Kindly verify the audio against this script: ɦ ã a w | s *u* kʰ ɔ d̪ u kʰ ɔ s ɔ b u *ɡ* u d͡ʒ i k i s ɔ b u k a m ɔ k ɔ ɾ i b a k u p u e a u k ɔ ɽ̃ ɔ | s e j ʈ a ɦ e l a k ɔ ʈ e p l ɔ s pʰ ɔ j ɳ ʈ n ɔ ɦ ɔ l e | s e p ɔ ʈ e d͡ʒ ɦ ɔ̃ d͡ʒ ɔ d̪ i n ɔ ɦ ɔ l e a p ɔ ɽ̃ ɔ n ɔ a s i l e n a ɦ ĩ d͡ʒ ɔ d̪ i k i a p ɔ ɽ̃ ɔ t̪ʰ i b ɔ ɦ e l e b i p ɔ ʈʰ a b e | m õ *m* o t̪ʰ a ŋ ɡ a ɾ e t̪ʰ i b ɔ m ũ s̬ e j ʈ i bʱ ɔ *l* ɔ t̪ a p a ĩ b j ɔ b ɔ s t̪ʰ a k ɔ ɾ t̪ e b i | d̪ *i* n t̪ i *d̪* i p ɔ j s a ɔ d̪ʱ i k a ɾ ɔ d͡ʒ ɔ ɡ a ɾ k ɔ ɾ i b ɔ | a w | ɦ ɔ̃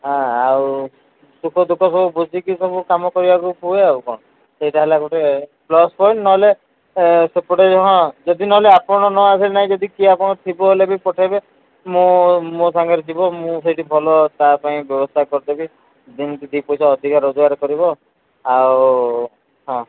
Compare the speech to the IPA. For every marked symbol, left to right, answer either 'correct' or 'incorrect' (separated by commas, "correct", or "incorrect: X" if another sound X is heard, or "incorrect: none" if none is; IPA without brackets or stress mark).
correct, incorrect: b, correct, correct, correct, correct